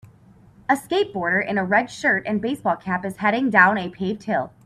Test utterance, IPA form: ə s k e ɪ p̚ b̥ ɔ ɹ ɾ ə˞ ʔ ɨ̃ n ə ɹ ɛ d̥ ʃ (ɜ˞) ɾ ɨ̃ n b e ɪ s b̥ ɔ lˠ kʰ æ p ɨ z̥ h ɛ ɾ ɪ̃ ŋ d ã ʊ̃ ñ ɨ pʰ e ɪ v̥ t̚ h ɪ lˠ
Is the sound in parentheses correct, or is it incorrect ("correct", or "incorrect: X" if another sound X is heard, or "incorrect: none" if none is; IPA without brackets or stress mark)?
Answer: correct